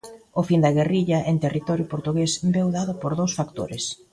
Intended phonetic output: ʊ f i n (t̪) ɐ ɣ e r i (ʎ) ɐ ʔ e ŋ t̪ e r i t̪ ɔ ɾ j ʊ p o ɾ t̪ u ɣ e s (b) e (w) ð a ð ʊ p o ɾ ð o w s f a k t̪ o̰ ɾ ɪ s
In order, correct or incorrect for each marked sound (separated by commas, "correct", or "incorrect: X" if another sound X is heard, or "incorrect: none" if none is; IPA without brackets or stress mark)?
incorrect: d̪, correct, correct, correct